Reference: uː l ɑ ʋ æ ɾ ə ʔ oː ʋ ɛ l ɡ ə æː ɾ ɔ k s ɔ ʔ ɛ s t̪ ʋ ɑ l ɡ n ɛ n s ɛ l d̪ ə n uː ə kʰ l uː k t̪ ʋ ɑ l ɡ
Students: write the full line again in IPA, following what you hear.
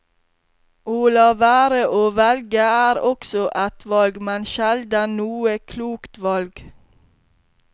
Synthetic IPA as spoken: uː l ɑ ʋ æː ɾ ə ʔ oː ʋ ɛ l ɡ ə æː ɾ ɔ k s ɔ ʔ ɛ t̪ ʋ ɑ l ɡ m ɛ n ʃ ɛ l d̪ ə n uː ə kʰ l uː k t̪ ʋ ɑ l ɡ